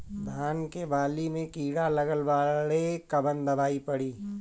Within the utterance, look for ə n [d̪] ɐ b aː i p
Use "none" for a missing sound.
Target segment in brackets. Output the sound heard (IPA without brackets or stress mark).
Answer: d̪